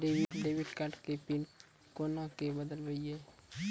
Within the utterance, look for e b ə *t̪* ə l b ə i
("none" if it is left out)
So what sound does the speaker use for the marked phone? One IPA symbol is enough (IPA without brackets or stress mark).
d̪